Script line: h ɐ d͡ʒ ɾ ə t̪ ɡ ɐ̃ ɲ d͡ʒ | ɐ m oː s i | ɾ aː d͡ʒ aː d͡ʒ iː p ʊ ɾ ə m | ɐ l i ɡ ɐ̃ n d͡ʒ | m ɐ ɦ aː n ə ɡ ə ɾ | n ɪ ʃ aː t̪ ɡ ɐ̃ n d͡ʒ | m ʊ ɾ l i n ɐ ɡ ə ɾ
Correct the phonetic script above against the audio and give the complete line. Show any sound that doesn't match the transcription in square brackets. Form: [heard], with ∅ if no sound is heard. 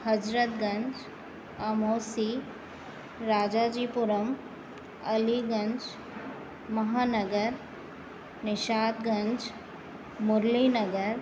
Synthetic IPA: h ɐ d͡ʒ ɾ ə t̪ ɡ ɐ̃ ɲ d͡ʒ | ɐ m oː s i | ɾ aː d͡ʒ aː d͡ʒ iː p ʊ ɾ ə m | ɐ l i ɡ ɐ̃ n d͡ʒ | m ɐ ɦ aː n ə ɡ ə ɾ | n ɪ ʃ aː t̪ ɡ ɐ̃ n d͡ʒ | m ʊ ɾ l i n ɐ ɡ ə ɾ

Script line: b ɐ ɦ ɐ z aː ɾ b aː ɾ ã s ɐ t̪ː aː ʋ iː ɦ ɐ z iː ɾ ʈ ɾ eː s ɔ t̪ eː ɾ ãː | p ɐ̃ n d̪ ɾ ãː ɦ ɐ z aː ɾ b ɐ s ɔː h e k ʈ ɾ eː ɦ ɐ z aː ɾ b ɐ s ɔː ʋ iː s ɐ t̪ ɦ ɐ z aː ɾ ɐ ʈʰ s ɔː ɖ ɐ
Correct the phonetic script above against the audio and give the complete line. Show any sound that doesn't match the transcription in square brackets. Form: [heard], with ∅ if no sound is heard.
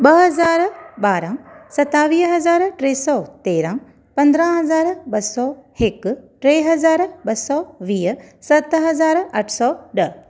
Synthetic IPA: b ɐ ɦ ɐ z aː ɾ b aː ɾ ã s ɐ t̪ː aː ʋ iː ɦ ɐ z [aː] ɾ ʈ ɾ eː s ɔ t̪ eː ɾ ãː | p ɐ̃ n d̪ ɾ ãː ɦ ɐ z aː ɾ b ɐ s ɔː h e k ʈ ɾ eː ɦ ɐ z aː ɾ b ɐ s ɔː ʋ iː s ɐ t̪ ɦ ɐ z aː ɾ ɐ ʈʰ s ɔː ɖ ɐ

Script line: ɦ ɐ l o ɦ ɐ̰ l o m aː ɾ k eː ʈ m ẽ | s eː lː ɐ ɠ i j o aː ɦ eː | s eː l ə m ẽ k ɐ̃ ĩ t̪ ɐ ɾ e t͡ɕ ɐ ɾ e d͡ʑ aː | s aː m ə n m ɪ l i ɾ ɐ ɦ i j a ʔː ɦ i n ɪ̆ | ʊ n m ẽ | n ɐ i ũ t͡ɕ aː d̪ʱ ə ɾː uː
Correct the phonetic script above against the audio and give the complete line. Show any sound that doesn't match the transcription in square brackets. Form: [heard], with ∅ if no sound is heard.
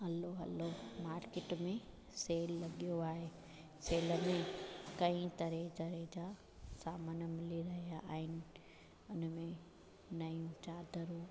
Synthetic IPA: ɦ ɐ l o ɦ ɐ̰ l o m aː ɾ k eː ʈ m ẽ | s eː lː ɐ ɠ i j o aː ɦ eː | s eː l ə m ẽ k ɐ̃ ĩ t̪ ɐ ɾ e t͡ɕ ɐ ɾ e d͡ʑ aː | s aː m ə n m ɪ l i ɾ ɐ ɦ i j a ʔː ɦ [ɪ] n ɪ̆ | ʊ n m ẽ | n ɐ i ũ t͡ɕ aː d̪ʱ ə [ɾ] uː

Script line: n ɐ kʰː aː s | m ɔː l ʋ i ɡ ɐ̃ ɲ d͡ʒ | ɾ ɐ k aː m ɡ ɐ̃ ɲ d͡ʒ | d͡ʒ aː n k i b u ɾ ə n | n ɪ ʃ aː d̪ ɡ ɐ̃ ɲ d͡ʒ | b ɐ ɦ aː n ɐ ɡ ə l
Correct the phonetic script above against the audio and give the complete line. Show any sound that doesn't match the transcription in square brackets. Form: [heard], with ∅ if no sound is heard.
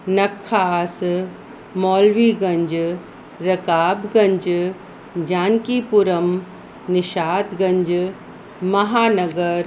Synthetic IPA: n ɐ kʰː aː s | m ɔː l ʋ i ɡ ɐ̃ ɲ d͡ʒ | ɾ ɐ k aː [b] ɡ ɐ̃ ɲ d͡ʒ | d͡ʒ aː n k i [p] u ɾ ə [m] | n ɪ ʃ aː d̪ ɡ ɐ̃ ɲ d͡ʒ | [m] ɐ ɦ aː n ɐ ɡ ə [ɾ]

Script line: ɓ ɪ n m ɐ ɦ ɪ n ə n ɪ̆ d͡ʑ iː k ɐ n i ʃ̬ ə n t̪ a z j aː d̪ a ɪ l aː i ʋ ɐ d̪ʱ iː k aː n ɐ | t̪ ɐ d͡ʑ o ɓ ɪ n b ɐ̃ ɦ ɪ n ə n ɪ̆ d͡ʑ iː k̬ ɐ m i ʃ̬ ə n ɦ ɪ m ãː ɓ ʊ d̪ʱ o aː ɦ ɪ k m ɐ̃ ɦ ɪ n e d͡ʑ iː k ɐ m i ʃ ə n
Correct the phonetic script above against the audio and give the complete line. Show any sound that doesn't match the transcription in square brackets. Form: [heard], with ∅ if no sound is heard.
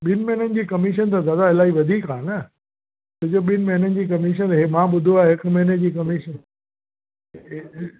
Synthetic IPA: ɓ ɪ n m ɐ ɦ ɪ n ə n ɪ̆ d͡ʑ iː k ɐ [m] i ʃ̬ ə n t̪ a z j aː d̪ a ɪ l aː i ʋ ɐ d̪ʱ iː k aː n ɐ | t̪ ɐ d͡ʑ o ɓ ɪ n [m] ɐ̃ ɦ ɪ n ə n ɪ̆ d͡ʑ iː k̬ ɐ m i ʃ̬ ə n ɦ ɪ m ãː ɓ ʊ d̪ʱ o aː ɦ ɪ k m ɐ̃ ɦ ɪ n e d͡ʑ iː k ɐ m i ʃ ə n

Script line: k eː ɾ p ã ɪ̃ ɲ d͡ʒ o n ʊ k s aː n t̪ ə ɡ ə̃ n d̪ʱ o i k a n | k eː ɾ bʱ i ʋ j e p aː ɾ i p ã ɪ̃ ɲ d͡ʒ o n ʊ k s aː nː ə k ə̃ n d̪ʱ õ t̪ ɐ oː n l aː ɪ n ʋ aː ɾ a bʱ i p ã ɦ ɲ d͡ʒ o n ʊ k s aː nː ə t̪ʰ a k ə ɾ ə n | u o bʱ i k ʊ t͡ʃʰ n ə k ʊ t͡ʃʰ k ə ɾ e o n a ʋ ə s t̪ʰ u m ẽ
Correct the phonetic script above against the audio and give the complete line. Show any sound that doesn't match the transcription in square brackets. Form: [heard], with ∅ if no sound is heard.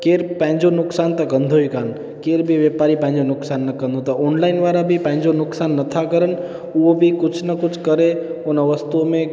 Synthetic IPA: k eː ɾ p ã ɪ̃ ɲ d͡ʒ o n ʊ k s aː n t̪ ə ɡ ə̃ n d̪ʱ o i k a n | k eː ɾ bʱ i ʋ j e p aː ɾ i p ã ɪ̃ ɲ d͡ʒ o n ʊ k s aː nː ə k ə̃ n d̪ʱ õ t̪ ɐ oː n l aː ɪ n ʋ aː ɾ a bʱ i p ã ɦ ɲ d͡ʒ o n ʊ k s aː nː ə t̪ʰ a k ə ɾ ə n | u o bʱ i k ʊ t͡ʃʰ n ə k ʊ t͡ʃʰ k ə ɾ e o n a ʋ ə s [t̪] u m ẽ

